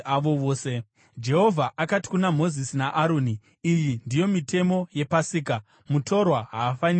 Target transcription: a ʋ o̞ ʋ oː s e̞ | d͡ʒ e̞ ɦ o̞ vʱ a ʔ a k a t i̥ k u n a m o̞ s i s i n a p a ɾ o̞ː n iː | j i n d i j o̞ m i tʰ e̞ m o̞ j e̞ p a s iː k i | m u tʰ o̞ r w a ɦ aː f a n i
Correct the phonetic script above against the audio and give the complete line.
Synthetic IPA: a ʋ o̞ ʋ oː s e̞ | d͡ʒ e̞ ɦ o̞ vʱ a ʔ a k a t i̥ k u n a m o̞ z i s i n a ʔ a ɾ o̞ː n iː | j i n d i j o̞ m i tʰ e̞ m o̞ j e̞ p a s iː k a | m u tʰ o̞ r w a ɦ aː f a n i